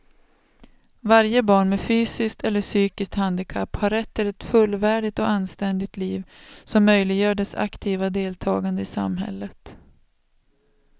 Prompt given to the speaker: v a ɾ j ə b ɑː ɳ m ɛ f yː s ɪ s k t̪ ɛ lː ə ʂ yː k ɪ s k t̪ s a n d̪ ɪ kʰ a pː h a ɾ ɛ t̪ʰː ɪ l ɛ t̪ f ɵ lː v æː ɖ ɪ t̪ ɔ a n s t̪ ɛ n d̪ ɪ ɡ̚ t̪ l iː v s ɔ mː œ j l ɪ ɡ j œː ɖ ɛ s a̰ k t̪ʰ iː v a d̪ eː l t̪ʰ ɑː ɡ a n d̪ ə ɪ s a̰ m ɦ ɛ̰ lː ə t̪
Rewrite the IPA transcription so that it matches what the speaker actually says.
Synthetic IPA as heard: v a ɾ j ə b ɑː ɳ m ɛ f yː s ɪ s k t̪ ɛ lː ə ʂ yː k ɪ s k t̪ h a n d̪ ɪ kʰ a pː h a ɾ ɛ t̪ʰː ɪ l ɛ t̪ f ɵ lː v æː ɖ ɪ t̪ ɔ a n s t̪ ɛ n d̪ ɪ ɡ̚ t̪ l iː v s ɔ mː œ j l ɪ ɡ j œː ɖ ɛ s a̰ k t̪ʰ iː v a d̪ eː l t̪ʰ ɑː ɡ a n d̪ ə ɪ s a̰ m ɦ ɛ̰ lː ə t̪